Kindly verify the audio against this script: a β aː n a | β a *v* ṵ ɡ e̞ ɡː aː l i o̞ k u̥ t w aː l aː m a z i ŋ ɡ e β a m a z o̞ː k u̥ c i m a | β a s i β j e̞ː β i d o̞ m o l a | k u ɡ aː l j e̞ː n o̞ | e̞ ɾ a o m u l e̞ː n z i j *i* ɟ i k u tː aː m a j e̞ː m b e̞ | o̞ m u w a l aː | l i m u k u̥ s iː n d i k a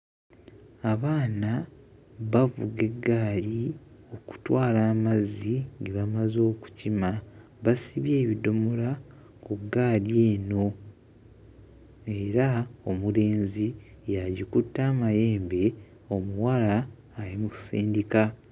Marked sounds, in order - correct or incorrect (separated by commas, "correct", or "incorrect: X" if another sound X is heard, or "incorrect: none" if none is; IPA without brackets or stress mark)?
correct, incorrect: a